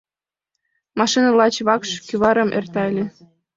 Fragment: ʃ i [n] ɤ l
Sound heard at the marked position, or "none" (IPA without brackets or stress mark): n